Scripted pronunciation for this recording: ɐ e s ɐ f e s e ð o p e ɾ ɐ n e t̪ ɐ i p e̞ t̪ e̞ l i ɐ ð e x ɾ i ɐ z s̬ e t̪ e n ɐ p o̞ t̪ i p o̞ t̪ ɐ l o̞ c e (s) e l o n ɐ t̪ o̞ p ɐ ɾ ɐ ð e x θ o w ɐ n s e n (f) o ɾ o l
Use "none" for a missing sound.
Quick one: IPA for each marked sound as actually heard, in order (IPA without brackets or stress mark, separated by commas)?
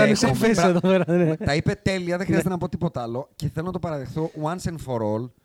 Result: θ, f